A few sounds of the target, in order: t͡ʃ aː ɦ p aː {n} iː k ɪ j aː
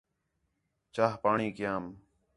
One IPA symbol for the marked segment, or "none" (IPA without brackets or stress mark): ɳ